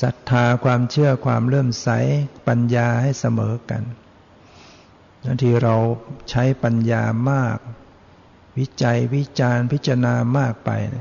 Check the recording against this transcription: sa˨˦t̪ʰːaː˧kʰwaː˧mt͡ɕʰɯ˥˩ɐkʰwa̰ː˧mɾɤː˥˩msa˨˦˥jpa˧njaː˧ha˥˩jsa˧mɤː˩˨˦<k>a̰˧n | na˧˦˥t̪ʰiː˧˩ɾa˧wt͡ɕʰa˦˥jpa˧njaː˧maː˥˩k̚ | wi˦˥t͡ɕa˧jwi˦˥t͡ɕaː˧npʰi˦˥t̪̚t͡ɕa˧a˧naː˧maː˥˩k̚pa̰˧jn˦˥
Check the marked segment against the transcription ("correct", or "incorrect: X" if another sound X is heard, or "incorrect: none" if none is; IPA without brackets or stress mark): correct